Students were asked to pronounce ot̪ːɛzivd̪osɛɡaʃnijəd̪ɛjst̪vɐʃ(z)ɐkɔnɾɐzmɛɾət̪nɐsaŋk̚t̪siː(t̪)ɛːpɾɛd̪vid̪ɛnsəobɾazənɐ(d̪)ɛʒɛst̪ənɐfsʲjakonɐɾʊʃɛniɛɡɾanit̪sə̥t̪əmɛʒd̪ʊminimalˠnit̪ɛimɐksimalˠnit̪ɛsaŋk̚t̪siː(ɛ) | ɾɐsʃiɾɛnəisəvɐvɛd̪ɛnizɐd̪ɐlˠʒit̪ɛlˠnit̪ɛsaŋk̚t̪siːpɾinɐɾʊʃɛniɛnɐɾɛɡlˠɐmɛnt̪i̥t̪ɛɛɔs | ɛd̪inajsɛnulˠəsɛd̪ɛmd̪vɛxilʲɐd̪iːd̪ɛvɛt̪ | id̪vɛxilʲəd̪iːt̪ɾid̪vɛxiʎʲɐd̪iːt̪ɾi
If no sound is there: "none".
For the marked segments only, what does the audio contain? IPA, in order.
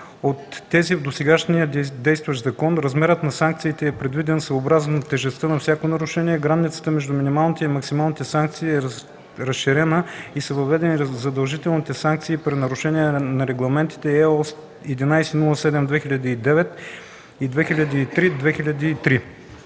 z, t̪, t̪, ɛ

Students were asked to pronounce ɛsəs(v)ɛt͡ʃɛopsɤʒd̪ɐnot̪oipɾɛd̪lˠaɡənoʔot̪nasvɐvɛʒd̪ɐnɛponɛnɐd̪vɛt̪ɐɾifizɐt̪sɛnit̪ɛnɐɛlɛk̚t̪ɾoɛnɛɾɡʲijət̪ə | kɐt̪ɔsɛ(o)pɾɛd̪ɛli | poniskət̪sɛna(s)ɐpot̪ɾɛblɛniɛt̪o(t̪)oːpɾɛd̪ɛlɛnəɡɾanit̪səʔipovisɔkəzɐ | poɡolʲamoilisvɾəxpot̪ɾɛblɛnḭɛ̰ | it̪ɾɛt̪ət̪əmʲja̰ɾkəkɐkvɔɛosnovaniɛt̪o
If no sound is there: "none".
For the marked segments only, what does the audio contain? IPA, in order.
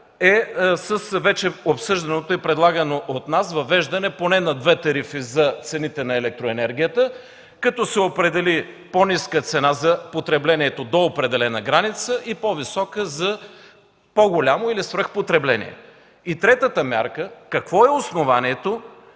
v, o, z, d̪

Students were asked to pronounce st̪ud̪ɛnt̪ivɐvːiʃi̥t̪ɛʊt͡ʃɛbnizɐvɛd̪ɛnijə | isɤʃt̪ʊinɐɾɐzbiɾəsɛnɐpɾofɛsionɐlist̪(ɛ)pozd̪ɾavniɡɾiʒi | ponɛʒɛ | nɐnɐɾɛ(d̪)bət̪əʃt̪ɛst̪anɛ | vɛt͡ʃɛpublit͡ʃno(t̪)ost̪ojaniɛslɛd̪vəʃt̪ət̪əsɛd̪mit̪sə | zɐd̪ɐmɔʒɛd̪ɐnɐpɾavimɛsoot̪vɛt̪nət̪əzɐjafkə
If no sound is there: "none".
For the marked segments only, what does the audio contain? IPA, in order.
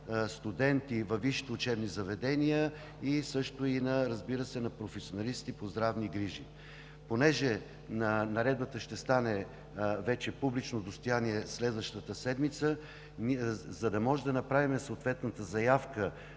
i, d̪, d̪

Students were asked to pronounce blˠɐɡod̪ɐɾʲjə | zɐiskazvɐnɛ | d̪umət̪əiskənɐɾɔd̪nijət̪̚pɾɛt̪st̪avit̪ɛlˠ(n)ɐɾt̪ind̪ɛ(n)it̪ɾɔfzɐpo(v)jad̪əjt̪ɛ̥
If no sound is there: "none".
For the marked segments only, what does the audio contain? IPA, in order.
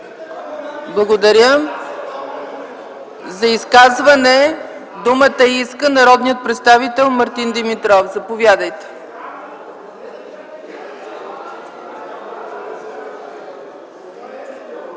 m, m, v

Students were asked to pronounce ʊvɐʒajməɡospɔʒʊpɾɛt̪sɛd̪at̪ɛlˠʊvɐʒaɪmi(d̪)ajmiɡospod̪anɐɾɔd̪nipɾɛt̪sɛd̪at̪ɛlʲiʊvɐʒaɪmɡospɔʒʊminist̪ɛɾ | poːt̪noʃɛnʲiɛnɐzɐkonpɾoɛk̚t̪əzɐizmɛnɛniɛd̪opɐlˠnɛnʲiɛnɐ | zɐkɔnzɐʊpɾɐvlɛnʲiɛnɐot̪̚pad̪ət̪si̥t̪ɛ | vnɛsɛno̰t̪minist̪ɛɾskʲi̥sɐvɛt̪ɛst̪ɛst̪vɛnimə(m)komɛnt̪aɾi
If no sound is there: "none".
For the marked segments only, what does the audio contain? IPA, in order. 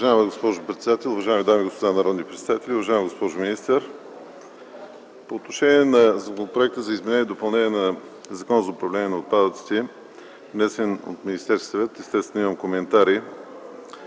d̪, m

